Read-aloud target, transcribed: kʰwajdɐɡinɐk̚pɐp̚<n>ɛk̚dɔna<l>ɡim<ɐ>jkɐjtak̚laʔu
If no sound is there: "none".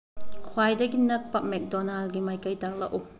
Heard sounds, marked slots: m, l, a

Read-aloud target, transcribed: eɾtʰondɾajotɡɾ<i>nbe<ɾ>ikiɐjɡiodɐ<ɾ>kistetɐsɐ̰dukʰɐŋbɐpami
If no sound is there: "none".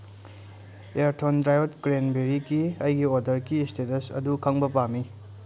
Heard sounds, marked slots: e, ɾ, ɾ

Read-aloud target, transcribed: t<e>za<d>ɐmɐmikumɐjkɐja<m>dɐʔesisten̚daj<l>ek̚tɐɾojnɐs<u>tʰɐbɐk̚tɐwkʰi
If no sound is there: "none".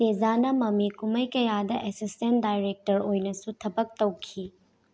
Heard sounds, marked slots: e, n, none, ɾ, u

